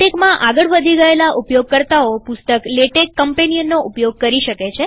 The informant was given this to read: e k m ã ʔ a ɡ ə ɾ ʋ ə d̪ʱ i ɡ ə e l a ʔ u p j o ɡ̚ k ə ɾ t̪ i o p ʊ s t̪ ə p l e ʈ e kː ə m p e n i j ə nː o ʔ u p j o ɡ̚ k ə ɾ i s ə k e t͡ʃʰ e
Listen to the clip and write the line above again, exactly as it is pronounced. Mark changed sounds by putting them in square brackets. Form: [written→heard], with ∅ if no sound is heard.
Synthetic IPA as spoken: e k m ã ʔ a ɡ ə [ɾ→ɭ] ʋ ə d̪ʱ i ɡ ə e l a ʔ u p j o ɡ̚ k ə ɾ t̪ [i→a] o p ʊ s t̪ ə [p→k] l e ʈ e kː ə m p e n i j ə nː o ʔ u p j o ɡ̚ k ə ɾ i [s→ʃ] ə k e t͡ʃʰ e